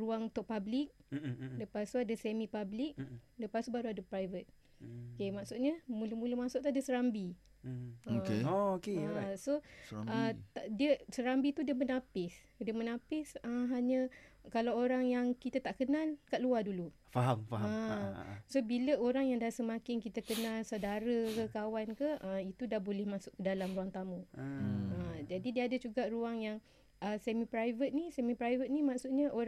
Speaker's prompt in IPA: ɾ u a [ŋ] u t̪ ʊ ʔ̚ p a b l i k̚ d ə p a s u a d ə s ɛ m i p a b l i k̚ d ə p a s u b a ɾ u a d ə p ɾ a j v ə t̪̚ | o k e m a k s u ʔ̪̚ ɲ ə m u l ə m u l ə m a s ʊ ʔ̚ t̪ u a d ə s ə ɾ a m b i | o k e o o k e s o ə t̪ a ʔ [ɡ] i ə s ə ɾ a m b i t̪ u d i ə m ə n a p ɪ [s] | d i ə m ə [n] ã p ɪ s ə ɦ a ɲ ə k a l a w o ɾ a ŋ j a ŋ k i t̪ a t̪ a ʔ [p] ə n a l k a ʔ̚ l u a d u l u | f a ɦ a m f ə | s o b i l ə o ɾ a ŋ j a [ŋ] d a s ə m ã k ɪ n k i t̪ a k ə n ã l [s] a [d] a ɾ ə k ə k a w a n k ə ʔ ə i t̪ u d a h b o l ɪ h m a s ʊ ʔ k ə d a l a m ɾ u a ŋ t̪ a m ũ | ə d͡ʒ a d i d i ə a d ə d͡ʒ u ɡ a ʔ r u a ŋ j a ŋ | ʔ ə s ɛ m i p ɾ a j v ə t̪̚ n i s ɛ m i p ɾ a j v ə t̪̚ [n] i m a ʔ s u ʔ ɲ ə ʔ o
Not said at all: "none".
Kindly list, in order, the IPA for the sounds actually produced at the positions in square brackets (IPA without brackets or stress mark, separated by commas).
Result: ŋ, d, s, n, k, ŋ, s, d, n